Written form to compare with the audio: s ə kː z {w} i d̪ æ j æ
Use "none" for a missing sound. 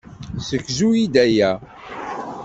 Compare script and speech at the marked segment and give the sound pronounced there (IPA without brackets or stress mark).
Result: u